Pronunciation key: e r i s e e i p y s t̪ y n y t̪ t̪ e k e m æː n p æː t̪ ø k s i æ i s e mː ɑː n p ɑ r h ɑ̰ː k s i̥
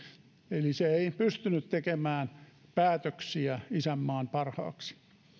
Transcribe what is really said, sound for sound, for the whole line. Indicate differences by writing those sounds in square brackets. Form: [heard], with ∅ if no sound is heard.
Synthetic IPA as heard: e [l] i s e e i p y s t̪ y n y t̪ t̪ e k e m æː n p æː t̪ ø k s i æ i s [æ] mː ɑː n p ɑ r h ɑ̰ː k s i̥